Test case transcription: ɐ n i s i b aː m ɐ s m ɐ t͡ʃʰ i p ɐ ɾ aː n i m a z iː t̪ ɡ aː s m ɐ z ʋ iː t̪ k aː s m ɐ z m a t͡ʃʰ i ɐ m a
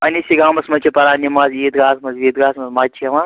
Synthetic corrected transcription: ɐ n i s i ɡ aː m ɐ s m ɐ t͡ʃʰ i p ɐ ɾ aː n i m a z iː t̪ ɡ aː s m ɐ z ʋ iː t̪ ɡ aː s m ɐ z m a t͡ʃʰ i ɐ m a